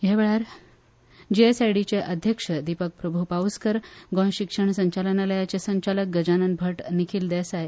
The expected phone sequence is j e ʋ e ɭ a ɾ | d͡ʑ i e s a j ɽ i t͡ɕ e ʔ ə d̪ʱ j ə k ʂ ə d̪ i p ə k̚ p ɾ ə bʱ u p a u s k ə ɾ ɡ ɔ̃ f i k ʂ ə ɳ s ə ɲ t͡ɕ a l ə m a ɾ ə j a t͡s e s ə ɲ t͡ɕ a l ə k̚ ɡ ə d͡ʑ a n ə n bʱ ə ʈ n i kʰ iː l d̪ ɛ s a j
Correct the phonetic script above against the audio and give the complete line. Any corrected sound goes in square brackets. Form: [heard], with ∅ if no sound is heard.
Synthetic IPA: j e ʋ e ɭ a ɾ | d͡ʑ i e s a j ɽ i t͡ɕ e ʔ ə d̪ʱ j ə k ʂ ə d̪ i p ə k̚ p ɾ ə bʱ u p a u s k ə ɾ ɡ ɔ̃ [ɕ] i k ʂ ə ɳ s ə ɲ t͡ɕ a l ə [n] a [l] ə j a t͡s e s ə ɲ t͡ɕ a l ə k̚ ɡ ə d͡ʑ a n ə n bʱ ə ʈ n i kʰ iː l d̪ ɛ s a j